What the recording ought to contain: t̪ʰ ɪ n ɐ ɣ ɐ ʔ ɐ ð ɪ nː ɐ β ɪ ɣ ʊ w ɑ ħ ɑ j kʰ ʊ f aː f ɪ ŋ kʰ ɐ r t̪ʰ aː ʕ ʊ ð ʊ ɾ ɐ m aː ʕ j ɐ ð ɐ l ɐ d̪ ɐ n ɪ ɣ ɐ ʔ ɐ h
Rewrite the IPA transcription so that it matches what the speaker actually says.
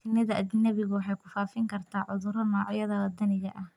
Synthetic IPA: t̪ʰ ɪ n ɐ ð ɐ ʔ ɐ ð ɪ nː ɐ β ɪ ɣ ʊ w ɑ ħ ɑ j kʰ ʊ f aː f ɪ ŋ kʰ ɐ r t̪ʰ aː ʕ ʊ ð ʊ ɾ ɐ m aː ʕ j ɐ ð ɐ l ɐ d̪ ɐ n ɪ ɣ ɐ ʔ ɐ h